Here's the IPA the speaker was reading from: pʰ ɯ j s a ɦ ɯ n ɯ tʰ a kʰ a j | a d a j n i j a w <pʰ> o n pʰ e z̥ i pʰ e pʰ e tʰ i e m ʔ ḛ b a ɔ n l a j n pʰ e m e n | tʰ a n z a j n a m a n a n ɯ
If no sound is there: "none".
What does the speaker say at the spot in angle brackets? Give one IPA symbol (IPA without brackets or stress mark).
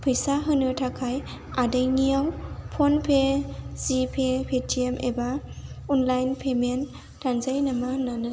pʰ